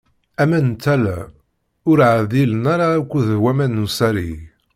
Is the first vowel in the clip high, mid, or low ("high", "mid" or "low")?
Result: low